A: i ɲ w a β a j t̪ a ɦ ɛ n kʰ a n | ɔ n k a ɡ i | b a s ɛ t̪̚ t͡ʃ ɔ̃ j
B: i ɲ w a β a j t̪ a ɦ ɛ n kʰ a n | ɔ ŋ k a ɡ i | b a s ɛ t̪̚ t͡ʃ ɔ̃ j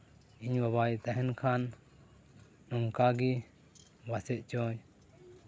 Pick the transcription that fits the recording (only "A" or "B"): B